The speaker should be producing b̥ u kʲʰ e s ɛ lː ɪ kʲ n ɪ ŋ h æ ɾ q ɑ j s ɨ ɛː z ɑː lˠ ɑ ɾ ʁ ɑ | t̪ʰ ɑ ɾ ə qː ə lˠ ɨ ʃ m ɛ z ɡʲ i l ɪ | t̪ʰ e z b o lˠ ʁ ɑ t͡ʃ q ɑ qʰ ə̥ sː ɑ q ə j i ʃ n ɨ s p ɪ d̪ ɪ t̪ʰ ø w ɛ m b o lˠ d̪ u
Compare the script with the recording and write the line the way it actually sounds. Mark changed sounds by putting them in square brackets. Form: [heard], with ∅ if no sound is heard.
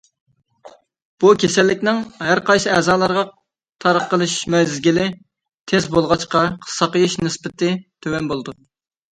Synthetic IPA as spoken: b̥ u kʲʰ e s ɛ lː ɪ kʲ n ɪ ŋ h æ ɾ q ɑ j s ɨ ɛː z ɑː lˠ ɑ ɾ ʁ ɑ | t̪ʰ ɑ ɾ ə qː ə lˠ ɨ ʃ m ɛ z ɡʲ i l ɪ | t̪ʰ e z b o lˠ ʁ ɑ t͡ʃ q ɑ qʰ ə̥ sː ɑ q ə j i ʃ n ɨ s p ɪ [t̪] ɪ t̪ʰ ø w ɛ [n] b o lˠ d̪ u